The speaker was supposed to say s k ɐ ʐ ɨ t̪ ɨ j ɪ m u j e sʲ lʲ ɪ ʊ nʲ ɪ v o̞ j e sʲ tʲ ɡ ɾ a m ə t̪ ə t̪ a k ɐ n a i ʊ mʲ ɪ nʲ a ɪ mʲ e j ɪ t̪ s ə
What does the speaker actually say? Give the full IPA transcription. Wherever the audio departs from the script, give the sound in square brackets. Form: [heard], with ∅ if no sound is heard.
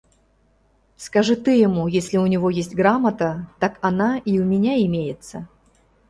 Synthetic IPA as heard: s k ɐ ʐ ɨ t̪ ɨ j ɪ m u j e sʲ lʲ ɪ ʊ nʲ ɪ v o̞ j e sʲ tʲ ɡ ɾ a m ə t̪ ə t̪ a k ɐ n a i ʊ mʲ ɪ nʲ a ɪ mʲ e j ɪ t̪ s ə